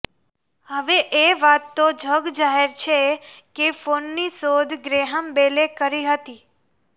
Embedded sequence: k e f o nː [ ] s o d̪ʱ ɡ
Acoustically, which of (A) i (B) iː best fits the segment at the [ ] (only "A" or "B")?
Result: A